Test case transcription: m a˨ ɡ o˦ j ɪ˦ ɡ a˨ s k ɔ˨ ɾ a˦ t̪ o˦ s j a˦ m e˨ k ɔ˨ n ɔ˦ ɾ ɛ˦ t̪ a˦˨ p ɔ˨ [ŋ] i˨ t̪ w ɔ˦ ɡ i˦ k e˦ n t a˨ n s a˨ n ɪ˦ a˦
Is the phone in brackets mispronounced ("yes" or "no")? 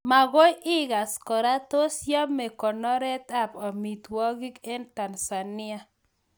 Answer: yes